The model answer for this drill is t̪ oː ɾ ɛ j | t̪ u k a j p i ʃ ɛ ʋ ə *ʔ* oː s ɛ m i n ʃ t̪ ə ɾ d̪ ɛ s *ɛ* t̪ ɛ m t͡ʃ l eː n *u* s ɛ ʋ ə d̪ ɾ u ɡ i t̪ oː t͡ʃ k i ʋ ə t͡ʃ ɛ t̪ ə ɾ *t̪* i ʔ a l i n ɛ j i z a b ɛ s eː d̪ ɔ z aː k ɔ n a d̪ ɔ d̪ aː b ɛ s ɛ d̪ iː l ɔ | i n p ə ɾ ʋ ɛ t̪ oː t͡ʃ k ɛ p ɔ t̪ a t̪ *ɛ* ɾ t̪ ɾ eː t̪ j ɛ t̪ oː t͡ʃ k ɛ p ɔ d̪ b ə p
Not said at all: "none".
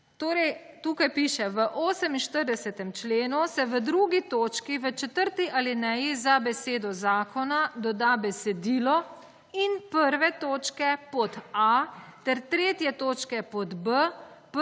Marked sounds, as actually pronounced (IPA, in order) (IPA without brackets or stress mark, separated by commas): ʔ, ɛ, u, t̪, ɛ